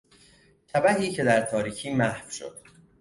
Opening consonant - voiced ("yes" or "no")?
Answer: no